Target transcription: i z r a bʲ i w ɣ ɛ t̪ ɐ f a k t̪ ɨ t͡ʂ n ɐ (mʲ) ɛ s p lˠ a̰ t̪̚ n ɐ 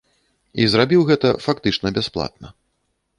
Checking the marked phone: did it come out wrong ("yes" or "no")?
yes